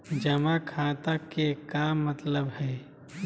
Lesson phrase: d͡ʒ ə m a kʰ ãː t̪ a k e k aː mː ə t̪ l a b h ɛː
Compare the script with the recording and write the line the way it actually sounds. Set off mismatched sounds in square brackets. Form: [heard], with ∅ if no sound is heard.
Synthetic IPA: d͡ʒ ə m a kʰ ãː t̪ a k e k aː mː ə t̪ l [ə] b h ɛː